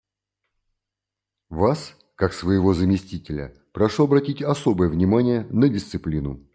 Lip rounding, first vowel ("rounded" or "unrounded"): unrounded